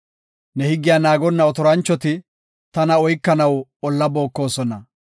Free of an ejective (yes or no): yes